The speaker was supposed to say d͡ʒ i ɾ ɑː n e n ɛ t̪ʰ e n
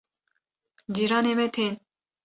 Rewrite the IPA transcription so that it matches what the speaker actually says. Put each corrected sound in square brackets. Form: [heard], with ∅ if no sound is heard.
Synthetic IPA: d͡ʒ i ɾ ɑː n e [m] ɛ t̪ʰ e n